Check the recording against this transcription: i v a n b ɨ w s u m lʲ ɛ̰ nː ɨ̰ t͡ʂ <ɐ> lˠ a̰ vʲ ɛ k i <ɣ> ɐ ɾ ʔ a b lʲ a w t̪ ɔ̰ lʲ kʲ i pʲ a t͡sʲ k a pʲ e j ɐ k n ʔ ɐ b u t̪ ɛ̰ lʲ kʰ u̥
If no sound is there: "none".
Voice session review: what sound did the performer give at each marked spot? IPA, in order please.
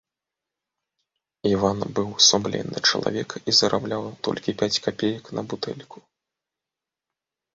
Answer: ɐ, z

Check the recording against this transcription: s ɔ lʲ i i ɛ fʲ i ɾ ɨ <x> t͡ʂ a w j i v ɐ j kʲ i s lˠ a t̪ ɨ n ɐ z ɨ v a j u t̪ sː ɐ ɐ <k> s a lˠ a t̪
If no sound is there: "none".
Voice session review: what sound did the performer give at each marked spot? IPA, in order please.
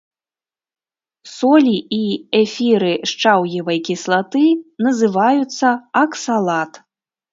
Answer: ʂ, k

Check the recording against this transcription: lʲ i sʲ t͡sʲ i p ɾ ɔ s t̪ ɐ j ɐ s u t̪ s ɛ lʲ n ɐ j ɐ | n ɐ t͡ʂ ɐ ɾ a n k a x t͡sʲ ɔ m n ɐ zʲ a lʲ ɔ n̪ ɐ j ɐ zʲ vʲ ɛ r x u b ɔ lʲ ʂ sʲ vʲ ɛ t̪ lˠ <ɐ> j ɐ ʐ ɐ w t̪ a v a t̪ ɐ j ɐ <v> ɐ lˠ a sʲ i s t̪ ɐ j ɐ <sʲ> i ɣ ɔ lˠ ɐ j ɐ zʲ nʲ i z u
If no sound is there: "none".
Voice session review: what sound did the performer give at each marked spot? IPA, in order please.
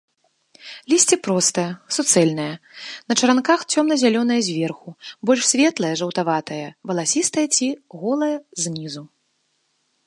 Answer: ɐ, v, t͡sʲ

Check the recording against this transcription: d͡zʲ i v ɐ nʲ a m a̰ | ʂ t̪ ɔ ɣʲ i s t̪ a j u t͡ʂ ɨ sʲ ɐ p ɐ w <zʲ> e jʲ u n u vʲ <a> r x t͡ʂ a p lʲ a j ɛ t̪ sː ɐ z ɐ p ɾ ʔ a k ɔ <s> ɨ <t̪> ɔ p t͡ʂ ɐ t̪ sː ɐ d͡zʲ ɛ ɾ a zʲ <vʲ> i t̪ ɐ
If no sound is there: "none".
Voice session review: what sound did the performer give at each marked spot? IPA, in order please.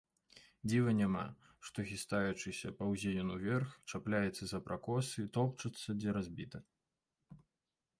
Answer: zʲ, ɛ, s, t̪, bʲ

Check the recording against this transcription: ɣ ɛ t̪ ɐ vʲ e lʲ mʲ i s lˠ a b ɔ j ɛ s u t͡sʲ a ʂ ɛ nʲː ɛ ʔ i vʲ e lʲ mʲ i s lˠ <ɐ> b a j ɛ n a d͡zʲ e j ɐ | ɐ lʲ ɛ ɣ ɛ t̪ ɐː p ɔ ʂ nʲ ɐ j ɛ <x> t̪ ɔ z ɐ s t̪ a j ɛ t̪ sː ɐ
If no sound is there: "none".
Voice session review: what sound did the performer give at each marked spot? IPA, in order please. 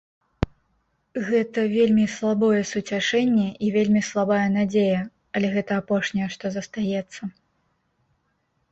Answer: a, ʂ

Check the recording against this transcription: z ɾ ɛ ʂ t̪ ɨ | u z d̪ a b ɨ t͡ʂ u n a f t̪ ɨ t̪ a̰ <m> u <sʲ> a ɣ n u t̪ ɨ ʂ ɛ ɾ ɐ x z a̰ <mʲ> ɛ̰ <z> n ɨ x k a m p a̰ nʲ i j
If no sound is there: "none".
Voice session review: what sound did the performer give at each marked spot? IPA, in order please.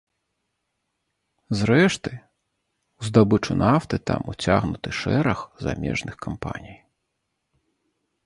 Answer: m, t͡sʲ, mʲ, ʐ

